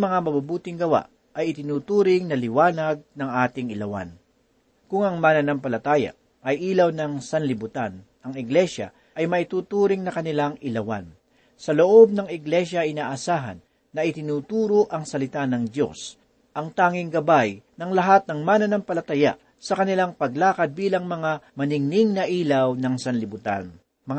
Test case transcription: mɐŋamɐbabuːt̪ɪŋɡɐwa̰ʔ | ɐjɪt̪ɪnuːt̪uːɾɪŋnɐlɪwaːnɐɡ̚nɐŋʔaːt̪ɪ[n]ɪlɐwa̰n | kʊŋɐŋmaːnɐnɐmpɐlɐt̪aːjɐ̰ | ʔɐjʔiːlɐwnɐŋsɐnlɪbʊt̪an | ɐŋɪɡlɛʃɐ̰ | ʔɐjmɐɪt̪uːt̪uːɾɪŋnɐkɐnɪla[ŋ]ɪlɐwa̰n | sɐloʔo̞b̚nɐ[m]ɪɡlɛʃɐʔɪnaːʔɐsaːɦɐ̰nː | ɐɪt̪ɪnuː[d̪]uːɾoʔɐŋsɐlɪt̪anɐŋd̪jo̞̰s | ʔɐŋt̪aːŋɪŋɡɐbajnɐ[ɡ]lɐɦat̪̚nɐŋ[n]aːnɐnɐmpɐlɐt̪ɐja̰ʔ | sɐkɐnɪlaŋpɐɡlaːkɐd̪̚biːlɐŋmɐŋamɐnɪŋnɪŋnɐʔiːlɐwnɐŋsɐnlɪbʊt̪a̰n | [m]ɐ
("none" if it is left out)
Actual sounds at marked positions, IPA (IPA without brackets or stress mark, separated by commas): ŋ, ŋ, ŋ, t̪, ŋ, m, m